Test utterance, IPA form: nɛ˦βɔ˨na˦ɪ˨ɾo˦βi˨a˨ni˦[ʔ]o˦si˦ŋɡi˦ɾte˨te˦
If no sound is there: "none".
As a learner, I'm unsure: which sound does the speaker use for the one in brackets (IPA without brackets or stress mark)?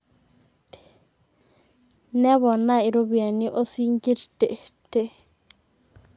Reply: ʔ